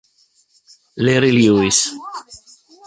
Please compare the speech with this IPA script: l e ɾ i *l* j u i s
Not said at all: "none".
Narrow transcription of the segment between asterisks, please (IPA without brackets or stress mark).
l